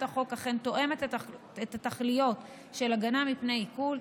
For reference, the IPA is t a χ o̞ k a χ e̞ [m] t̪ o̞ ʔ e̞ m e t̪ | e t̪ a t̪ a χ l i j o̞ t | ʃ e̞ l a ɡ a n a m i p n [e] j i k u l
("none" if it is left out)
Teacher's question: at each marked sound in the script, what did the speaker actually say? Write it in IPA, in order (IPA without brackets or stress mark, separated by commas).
n, e